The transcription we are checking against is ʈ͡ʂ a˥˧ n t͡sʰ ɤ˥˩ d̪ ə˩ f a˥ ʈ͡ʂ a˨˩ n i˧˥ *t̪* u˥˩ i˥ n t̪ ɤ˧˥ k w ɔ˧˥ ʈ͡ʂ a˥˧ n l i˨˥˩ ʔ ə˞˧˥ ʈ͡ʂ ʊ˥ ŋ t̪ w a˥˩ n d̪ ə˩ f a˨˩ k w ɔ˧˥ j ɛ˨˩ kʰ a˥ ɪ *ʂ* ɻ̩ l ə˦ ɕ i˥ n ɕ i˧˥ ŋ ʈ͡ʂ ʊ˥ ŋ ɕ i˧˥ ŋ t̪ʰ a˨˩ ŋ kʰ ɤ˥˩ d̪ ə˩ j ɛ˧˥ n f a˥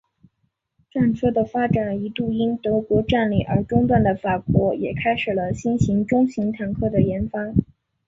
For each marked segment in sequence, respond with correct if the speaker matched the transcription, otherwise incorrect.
correct, correct

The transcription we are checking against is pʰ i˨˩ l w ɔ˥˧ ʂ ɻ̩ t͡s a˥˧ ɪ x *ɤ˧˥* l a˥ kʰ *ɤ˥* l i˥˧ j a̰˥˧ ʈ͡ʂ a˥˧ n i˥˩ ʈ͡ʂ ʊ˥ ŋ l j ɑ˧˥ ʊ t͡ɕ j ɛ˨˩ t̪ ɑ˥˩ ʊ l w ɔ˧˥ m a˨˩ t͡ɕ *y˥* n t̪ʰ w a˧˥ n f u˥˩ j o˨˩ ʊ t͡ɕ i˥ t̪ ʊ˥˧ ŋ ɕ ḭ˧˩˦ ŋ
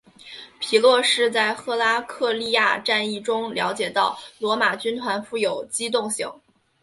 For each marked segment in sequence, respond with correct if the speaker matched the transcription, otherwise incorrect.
incorrect, incorrect, correct

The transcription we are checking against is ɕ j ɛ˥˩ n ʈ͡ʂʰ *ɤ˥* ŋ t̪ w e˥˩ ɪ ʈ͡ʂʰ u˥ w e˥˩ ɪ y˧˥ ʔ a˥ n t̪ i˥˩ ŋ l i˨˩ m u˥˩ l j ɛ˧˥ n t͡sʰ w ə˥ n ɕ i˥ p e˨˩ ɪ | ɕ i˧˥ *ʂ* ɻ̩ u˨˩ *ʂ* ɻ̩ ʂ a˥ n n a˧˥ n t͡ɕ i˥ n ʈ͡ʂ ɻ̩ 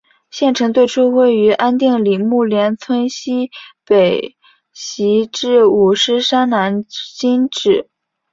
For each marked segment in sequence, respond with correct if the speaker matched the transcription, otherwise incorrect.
incorrect, incorrect, correct

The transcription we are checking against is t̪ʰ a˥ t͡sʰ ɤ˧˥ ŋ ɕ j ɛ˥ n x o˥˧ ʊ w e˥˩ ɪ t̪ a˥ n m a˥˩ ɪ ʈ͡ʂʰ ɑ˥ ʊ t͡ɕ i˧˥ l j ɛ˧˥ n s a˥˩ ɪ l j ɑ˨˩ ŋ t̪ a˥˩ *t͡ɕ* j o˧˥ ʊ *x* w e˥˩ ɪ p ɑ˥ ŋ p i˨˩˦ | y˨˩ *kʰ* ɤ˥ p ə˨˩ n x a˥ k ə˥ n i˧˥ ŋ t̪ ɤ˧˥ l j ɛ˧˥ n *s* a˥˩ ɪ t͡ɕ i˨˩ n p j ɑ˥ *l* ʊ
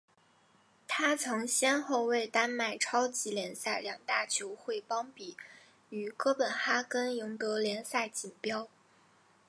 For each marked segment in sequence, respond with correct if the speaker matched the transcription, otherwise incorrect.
incorrect, correct, incorrect, correct, incorrect

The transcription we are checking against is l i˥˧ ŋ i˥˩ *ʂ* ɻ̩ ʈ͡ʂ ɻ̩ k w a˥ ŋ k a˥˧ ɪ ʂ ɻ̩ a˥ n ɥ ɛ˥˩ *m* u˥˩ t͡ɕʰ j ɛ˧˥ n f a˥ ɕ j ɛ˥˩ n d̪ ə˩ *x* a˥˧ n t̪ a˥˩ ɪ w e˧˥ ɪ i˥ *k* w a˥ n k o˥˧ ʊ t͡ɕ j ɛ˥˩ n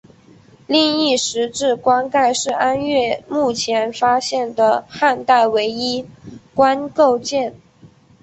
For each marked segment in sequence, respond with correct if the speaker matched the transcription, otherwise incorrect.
correct, correct, correct, correct

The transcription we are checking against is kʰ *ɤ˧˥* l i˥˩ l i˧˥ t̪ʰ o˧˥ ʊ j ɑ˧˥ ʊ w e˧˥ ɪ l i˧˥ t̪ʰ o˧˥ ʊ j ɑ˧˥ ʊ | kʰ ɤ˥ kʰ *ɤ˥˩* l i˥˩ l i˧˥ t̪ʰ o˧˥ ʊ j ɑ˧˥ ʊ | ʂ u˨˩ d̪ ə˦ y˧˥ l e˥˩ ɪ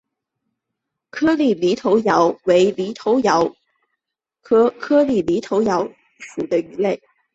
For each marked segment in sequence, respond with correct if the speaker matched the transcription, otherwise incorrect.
incorrect, incorrect

